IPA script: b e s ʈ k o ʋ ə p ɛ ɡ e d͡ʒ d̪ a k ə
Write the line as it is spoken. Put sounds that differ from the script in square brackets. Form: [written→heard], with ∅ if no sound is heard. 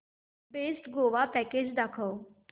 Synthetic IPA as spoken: b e s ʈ [k→ɡ] o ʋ [ə→a] p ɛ [ɡ→k] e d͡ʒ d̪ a [k→kʰ] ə